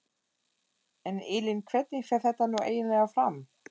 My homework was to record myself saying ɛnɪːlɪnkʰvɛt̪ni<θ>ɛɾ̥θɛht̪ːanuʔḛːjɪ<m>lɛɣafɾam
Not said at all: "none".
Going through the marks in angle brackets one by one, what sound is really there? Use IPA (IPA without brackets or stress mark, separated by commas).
f, n